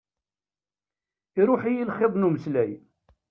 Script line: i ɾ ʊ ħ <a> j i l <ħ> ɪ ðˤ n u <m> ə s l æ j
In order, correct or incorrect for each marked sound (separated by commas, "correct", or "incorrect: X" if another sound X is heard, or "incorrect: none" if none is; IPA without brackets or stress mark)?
incorrect: i, incorrect: χ, correct